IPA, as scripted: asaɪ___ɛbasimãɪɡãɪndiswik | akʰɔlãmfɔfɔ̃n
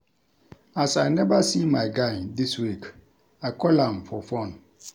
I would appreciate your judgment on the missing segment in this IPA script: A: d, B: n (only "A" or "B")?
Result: B